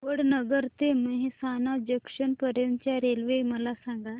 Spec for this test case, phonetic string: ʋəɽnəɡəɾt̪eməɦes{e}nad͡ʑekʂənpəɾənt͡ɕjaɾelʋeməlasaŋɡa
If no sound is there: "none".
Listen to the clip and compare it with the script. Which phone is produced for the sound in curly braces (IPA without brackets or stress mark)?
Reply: a